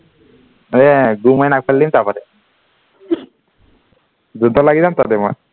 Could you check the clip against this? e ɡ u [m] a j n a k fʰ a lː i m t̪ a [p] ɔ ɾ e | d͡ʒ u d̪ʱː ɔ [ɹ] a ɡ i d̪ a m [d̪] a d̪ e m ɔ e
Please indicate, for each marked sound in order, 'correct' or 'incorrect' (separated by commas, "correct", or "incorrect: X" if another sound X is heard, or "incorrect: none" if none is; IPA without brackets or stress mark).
correct, correct, incorrect: l, incorrect: t̪